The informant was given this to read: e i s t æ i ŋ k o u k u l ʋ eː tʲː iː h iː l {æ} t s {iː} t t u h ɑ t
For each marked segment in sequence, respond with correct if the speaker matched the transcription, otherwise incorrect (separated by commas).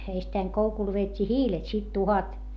incorrect, incorrect